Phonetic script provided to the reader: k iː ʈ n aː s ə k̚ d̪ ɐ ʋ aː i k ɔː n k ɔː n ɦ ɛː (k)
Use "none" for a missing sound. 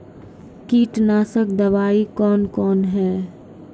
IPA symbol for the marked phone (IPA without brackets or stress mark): none